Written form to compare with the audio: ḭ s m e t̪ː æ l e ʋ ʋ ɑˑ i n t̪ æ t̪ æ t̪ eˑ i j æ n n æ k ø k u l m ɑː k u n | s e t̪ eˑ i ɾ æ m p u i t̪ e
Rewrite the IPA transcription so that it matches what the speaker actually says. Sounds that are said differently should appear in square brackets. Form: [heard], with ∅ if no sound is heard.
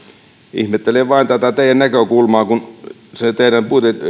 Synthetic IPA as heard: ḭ [h] m e t̪ː [e] l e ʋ ʋ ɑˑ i n t̪ æ t̪ æ t̪ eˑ i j æ n n æ k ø k u l m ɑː k u n | s e t̪ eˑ i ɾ æ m p u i t̪ e